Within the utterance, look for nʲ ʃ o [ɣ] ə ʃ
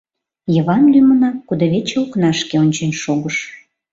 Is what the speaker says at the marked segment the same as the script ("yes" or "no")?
yes